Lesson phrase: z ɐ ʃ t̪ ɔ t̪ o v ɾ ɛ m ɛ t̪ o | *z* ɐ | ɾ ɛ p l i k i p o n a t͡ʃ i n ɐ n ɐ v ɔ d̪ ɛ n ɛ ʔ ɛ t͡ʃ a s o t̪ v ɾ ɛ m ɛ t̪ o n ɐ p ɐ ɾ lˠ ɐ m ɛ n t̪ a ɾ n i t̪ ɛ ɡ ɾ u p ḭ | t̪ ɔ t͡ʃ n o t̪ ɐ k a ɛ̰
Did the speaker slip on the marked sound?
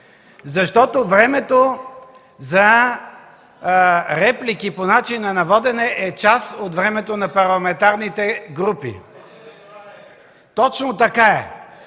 no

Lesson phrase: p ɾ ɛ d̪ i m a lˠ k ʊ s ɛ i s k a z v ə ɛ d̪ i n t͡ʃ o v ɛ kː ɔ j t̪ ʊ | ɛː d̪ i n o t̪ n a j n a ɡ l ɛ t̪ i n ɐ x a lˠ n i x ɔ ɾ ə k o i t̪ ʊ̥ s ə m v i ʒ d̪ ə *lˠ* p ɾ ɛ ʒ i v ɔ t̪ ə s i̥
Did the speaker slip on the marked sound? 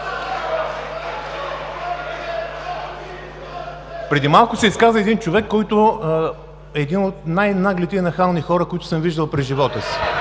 no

